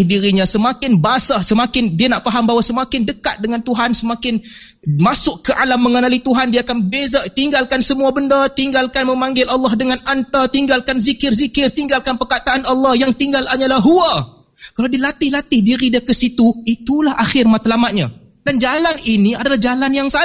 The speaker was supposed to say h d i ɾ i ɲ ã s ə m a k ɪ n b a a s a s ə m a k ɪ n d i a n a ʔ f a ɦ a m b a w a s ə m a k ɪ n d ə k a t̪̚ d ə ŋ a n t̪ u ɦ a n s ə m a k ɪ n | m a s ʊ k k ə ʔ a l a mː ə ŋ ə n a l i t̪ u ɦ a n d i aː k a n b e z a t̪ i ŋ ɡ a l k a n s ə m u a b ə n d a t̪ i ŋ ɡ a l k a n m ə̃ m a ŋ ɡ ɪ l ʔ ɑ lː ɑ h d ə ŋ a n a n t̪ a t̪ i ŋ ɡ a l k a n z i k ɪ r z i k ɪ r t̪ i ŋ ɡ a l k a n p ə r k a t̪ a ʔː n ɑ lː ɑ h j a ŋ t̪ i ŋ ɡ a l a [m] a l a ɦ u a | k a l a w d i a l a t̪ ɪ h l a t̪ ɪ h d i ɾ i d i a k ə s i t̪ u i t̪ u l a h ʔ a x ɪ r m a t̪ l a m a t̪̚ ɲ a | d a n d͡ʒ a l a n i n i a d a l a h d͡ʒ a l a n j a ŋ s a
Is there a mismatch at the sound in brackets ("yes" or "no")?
yes